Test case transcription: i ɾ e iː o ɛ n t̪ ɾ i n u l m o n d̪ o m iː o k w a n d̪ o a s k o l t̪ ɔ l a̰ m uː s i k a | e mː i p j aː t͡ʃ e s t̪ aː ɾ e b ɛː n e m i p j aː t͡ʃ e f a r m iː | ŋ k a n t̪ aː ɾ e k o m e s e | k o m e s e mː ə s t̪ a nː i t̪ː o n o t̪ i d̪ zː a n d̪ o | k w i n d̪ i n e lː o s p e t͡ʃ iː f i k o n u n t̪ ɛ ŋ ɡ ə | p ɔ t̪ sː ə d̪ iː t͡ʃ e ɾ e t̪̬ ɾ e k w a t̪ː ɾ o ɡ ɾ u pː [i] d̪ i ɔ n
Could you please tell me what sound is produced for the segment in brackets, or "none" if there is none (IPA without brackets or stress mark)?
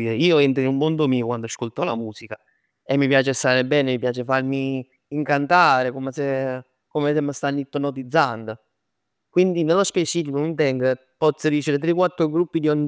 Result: i